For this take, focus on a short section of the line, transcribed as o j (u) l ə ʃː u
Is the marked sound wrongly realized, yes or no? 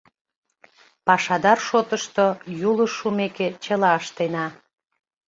no